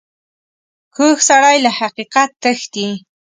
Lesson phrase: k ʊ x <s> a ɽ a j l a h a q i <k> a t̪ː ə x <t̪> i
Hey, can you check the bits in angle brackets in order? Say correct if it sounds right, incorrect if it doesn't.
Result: correct, incorrect: q, correct

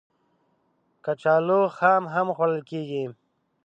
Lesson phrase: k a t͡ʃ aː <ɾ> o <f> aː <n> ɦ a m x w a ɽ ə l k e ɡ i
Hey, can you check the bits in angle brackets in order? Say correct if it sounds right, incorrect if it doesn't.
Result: incorrect: l, incorrect: x, incorrect: m

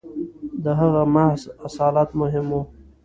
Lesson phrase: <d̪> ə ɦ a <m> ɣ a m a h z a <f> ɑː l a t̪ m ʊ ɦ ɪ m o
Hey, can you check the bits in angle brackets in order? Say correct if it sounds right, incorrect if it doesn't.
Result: correct, incorrect: none, incorrect: s

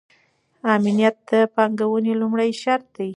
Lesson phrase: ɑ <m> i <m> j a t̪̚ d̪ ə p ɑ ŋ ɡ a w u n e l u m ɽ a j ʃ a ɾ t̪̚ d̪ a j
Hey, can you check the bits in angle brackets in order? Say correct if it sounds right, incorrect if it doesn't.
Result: correct, incorrect: n

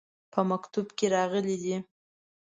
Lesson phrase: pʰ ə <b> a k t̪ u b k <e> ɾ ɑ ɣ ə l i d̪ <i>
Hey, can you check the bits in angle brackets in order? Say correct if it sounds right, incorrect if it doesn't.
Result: incorrect: m, correct, correct

